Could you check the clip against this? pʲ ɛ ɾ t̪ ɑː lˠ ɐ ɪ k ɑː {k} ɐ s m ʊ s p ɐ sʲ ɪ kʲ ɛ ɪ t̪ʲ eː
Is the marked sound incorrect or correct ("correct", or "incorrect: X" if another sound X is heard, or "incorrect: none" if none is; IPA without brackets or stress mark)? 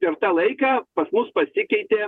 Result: incorrect: p